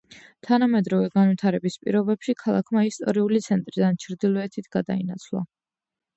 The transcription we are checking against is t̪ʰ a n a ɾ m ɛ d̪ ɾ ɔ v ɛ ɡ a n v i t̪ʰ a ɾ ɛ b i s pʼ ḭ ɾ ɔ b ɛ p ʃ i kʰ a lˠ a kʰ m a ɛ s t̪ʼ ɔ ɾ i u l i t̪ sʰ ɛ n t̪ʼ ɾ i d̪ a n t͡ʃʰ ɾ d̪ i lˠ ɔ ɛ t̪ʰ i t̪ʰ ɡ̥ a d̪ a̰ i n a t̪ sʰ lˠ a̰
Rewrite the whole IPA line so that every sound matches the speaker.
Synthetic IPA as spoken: t̪ʰ a n a m ɛ d̪ ɾ ɔ v ɛ ɡ a n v i t̪ʰ a ɾ ɛ b i s pʼ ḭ ɾ ɔ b ɛ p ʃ i kʰ a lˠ a kʰ m a i s t̪ʼ ɔ ɾ i u l i t̪ sʰ ɛ n t̪ʼ ɾ i d̪ a n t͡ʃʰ ɾ d̪ i lˠ ɔ ɛ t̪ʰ i t̪ʰ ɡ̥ a d̪ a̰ i n a t̪ sʰ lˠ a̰